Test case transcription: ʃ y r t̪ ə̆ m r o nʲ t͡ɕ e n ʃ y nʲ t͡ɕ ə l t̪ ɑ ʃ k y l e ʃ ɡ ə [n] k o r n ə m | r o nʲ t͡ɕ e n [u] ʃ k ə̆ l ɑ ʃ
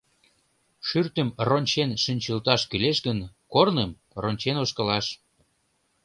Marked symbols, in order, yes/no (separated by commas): yes, no